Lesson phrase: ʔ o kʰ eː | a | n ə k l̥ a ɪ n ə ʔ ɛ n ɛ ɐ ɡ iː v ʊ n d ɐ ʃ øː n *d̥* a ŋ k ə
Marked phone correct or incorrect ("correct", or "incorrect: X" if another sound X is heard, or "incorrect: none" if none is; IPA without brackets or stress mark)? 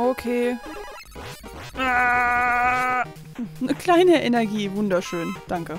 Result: correct